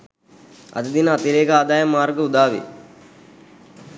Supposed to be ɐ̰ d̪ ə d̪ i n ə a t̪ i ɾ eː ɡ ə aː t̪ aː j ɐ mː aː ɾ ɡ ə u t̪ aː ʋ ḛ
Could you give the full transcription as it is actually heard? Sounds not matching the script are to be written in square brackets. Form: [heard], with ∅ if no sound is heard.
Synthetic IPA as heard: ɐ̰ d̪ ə d̪ i n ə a t̪ i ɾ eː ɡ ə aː [d̪] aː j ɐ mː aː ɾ ɡ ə u [d̪] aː ʋ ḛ